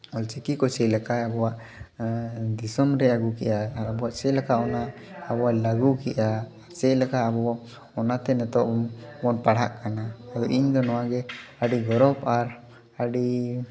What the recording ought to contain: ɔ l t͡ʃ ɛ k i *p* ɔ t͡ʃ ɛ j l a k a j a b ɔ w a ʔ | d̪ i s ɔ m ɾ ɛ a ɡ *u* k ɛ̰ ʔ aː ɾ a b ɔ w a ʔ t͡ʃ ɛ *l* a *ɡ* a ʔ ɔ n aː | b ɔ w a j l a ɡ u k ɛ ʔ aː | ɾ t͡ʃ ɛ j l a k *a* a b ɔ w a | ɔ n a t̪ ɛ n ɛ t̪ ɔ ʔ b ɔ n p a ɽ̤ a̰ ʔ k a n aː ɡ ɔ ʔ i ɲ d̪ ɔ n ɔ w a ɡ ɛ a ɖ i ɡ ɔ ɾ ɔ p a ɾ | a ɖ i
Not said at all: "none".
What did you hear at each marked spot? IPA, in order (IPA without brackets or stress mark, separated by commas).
k, u, l, k, a